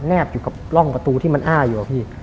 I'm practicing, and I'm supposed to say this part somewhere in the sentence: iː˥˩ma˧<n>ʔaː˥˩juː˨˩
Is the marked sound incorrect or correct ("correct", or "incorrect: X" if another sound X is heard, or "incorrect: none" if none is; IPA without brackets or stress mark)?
correct